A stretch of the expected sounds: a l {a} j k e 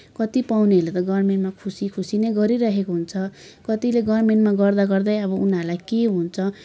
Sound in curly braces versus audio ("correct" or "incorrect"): correct